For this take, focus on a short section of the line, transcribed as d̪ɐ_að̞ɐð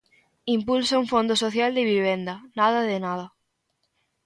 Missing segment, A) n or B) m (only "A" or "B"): A